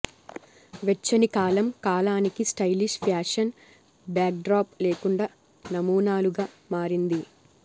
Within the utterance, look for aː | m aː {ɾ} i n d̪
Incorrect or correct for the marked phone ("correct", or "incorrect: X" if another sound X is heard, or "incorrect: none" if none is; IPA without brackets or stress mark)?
correct